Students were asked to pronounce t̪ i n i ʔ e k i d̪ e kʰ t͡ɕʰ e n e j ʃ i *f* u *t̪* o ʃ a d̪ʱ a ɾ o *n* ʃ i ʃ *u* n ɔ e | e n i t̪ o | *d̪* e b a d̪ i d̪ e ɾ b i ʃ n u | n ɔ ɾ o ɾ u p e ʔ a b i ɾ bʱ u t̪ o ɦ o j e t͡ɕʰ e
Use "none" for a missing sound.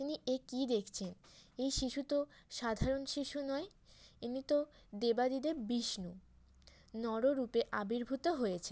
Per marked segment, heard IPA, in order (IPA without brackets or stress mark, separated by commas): ʃ, t̪, n, u, d̪